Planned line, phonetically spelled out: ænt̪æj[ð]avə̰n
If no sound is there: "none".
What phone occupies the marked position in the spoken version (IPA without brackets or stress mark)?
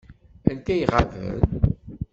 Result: ʁ